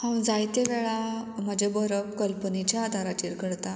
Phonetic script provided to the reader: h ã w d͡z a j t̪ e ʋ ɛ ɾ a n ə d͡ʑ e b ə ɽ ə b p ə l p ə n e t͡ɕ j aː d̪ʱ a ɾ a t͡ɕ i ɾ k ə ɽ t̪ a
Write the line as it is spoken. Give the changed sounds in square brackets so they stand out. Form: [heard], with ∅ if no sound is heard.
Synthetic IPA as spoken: h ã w d͡z a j t̪ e ʋ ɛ [ɭ] a [m] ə d͡ʑ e b ə [ɾ] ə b [k] ə l p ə n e t͡ɕ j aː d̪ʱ a ɾ a t͡ɕ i ɾ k ə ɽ t̪ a